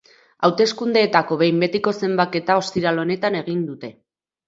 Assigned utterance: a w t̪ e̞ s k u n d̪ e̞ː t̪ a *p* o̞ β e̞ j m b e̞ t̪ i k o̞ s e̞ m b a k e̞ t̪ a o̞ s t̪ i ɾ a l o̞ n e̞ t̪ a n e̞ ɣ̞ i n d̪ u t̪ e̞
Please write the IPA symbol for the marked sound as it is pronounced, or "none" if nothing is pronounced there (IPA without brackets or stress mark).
k